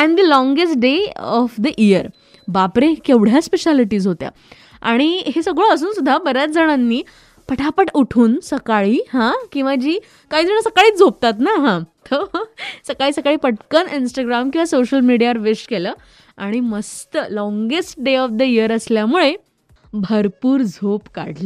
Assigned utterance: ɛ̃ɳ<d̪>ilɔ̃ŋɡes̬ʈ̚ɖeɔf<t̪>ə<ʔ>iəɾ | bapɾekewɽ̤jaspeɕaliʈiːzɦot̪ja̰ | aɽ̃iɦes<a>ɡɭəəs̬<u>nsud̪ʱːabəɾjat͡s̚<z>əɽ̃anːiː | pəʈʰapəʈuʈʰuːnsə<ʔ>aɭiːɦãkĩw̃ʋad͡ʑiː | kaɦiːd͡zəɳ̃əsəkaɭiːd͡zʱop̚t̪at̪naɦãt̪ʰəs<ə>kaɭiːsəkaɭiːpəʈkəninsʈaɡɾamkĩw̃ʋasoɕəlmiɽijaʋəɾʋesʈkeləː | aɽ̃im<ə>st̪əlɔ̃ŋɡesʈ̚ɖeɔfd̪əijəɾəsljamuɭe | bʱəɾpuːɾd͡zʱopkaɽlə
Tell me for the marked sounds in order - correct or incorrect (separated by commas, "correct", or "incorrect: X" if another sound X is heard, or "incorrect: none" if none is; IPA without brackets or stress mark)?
correct, incorrect: d̪, correct, incorrect: ə, incorrect: uː, incorrect: d͡z, incorrect: k, correct, correct